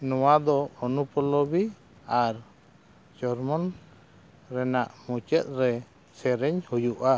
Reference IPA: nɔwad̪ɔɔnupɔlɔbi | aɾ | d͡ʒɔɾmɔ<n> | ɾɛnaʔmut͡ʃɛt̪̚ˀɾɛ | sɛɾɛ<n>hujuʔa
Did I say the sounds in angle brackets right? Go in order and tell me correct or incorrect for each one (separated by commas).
correct, incorrect